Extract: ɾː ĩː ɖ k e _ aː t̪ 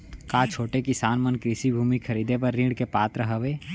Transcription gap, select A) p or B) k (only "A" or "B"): A